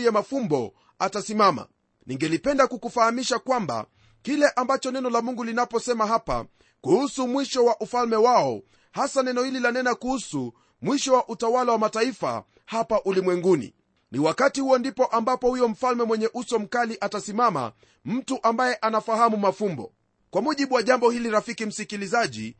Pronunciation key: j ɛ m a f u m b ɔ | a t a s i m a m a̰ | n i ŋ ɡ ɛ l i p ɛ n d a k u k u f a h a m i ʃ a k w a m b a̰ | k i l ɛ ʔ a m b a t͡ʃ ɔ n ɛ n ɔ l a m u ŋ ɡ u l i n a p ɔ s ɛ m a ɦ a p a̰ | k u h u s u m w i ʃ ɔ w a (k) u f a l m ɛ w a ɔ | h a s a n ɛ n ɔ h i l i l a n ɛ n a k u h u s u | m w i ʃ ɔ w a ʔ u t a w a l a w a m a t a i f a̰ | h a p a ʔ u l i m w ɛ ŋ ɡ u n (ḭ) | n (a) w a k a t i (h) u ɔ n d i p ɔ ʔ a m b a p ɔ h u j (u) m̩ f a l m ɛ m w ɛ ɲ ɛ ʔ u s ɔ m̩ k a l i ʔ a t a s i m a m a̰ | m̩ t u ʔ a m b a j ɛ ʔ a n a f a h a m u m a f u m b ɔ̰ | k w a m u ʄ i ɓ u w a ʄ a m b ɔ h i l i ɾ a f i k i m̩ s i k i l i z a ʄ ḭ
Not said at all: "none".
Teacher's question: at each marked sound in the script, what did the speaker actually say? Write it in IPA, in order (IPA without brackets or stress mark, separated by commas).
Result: ʔ, ḭ, i, h, ɔ